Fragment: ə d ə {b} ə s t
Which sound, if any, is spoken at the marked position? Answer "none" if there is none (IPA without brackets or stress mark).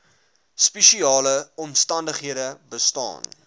b